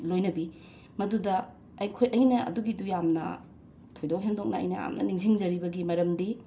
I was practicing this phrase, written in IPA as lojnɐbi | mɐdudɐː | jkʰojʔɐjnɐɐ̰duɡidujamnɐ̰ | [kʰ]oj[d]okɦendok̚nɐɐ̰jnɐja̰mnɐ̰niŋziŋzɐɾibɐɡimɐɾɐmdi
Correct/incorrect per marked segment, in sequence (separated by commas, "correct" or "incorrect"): incorrect, correct